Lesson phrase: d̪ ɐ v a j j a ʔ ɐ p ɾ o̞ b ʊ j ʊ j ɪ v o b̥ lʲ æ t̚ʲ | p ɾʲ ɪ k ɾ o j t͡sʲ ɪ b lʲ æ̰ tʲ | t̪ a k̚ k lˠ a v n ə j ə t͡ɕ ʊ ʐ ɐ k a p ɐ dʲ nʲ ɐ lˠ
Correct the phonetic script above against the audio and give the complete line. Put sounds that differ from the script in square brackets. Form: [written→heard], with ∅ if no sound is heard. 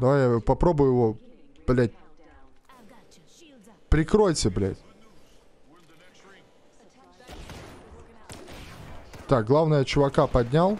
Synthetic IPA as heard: d̪ ɐ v a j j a [ʔ→p] ɐ p ɾ o̞ b ʊ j ʊ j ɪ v o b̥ lʲ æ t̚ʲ | p ɾʲ ɪ k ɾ o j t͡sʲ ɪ b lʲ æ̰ tʲ | t̪ a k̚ [k→ɡ] lˠ a v n ə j ə t͡ɕ ʊ [ʐ→v] ɐ k a p ɐ dʲ nʲ [ɐ→a] lˠ